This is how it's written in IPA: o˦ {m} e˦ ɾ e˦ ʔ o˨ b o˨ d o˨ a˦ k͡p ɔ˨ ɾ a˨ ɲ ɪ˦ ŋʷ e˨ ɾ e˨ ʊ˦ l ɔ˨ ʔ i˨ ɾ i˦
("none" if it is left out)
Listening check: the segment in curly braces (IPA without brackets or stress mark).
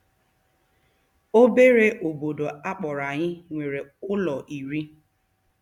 b